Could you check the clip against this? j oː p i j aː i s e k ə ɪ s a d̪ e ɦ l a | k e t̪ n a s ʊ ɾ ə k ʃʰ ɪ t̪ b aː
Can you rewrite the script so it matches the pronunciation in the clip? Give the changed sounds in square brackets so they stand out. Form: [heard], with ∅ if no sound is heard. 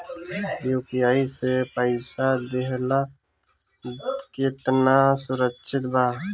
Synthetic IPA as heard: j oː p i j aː i s e [p] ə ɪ s a d̪ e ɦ l a | k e t̪ n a s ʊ ɾ ə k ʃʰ ɪ t̪ b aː